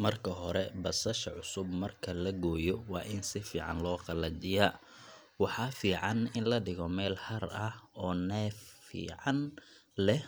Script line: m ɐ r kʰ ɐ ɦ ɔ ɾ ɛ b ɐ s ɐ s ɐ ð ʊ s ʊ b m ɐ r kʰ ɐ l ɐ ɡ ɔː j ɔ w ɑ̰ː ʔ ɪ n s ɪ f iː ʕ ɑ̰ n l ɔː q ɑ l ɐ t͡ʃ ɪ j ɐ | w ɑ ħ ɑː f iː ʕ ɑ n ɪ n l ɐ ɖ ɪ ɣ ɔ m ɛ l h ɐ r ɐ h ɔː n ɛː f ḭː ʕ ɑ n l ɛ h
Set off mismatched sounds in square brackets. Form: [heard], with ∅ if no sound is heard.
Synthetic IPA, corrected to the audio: m ɐ r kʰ ɐ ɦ ɔ ɾ ɛ b ɐ s ɐ [ʃ] ɐ [ʕ] ʊ s ʊ b m ɐ r kʰ ɐ l ɐ ɡ ɔː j ɔ w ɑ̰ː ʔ ɪ n s ɪ f iː ʕ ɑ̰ n l ɔː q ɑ l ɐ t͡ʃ ɪ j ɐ | w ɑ ħ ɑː f iː ʕ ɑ n ɪ n l ɐ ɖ ɪ ɣ ɔ m [ɛː] l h ɐ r ɐ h ɔː n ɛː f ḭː ʕ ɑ n l ɛ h